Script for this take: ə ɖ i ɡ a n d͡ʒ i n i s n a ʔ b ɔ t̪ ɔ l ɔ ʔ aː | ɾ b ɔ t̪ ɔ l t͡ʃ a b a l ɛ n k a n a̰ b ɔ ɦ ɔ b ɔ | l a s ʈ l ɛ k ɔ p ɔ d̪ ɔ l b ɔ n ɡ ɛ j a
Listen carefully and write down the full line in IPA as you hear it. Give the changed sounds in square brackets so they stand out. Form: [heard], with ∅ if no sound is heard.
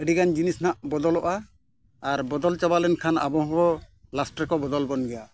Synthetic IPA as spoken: ə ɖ i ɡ a n d͡ʒ i n i s n a ʔ b ɔ [d̪] ɔ l ɔ ʔ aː | ɾ b ɔ [d̪] ɔ l t͡ʃ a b a l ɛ n [kʰ] a n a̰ b ɔ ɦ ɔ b ɔ | l a s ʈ [ɾ] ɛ k ɔ [b] ɔ d̪ ɔ l b ɔ n ɡ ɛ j a